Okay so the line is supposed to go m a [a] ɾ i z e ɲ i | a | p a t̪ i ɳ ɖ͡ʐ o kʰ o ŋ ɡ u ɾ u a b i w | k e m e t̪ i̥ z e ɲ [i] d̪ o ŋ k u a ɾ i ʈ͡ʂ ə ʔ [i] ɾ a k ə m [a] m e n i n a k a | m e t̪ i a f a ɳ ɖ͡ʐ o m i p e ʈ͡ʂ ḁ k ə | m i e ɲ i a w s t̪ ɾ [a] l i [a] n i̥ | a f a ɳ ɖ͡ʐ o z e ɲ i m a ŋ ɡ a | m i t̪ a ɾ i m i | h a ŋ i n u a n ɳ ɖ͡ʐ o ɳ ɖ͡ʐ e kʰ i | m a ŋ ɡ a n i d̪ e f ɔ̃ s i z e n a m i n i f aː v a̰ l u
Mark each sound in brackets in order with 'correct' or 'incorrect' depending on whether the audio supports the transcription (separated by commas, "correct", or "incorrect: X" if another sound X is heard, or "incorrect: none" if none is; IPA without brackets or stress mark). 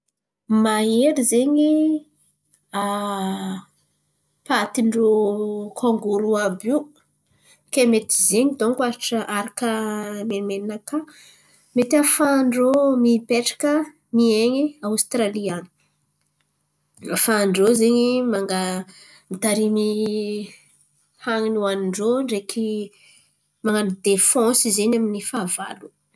incorrect: e, correct, incorrect: a, incorrect: e, correct, correct